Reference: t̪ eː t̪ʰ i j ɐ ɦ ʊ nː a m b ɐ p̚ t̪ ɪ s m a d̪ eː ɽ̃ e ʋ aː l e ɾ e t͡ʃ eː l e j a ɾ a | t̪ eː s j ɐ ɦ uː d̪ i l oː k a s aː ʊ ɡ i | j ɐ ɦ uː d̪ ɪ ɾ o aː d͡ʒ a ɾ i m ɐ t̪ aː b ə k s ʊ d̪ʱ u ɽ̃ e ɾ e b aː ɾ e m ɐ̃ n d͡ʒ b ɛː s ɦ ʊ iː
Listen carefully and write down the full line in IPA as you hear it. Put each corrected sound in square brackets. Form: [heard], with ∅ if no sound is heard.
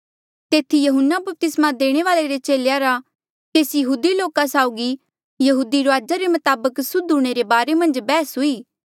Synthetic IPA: t̪ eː t̪ʰ i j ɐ ɦ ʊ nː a [∅] b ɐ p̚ t̪ ɪ s m a d̪ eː ɽ̃ e ʋ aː l e ɾ e t͡ʃ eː l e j a ɾ a | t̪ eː s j ɐ ɦ uː d̪ i l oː k a s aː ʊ ɡ i | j ɐ ɦ uː d̪ [i] ɾ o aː d͡ʒ a ɾ [e] m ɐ t̪ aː b ə k s ʊ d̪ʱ u ɽ̃ e ɾ e b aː ɾ e m ɐ̃ n d͡ʒ b ɛː s ɦ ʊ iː